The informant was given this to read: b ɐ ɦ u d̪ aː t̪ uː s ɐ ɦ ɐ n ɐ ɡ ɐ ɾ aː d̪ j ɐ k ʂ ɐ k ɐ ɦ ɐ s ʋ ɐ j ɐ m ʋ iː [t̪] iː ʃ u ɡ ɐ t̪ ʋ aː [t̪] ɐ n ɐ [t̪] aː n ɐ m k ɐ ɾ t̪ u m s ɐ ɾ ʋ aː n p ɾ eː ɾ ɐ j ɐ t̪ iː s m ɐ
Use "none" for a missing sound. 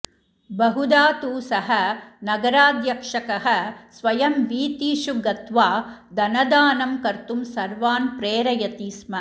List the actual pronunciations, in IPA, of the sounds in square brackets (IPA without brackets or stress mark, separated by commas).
t̪, d̪, d̪